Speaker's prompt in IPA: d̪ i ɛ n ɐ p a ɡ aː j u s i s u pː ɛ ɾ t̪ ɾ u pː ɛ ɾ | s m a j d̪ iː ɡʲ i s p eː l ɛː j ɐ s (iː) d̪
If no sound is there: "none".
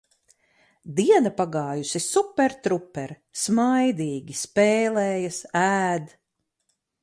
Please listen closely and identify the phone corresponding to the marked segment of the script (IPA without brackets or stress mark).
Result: æː